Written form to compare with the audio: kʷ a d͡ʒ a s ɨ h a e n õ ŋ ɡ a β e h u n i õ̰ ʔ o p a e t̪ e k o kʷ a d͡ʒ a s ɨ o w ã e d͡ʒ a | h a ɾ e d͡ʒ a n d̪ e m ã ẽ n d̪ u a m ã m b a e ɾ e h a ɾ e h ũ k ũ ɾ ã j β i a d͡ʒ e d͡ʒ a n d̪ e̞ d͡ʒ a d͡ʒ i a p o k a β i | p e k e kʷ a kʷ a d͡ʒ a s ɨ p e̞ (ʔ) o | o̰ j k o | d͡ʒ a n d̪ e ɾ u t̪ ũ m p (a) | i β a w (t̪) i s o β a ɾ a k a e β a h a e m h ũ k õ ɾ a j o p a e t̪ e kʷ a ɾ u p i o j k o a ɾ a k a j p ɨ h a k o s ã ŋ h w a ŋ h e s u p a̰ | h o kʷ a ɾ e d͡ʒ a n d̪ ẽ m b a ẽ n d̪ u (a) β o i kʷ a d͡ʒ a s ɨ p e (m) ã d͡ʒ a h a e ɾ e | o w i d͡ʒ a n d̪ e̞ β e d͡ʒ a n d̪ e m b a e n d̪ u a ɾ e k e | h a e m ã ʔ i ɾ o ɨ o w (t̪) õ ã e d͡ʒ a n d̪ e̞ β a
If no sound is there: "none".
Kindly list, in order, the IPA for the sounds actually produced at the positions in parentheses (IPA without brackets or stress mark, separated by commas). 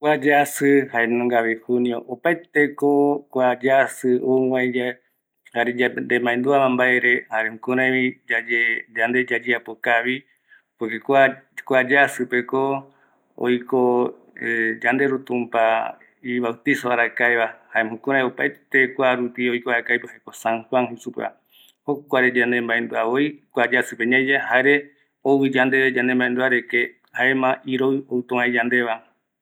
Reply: k, a, t̪, a, ɲ, t̪